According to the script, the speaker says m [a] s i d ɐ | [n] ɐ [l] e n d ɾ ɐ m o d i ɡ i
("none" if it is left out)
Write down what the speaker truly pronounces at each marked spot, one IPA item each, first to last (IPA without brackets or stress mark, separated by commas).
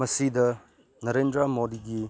ɐ, n, ɾ